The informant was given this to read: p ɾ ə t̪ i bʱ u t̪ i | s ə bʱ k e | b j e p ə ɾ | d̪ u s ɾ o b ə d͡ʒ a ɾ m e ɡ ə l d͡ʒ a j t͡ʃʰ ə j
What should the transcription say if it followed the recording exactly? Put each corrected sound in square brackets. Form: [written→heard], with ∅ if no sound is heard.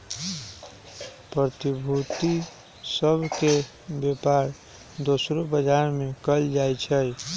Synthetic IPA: p ɾ ə t̪ i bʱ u t̪ i | s ə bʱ k e | b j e p [ə→a] ɾ | d̪ [u→o] s ɾ o b ə d͡ʒ a ɾ m e [ɡ→k] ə l d͡ʒ a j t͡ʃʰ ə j